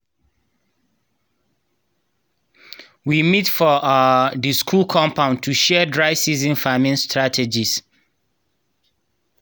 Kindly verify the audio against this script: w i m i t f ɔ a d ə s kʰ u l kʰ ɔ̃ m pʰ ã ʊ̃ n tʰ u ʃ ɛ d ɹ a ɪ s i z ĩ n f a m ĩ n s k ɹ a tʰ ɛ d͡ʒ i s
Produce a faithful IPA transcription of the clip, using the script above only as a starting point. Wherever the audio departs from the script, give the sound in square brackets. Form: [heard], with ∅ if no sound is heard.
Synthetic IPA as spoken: w i m i t f ɔ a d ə s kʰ u l kʰ ɔ̃ m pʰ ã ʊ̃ n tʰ u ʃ ɛ d ɹ a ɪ s i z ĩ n f a m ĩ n s [t] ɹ a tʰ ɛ d͡ʒ i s